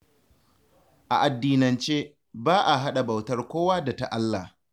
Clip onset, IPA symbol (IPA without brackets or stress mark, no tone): ʔ